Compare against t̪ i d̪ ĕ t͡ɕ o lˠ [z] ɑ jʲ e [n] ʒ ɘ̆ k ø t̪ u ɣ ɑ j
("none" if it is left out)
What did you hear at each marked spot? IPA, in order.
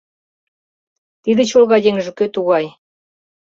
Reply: ɣ, ŋ

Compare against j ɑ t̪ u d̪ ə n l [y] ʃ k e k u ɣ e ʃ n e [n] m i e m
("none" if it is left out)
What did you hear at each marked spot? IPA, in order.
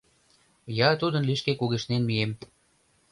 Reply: i, n

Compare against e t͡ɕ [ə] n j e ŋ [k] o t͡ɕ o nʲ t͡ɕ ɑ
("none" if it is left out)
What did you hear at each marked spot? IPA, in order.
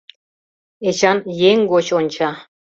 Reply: ɑ, ɡ

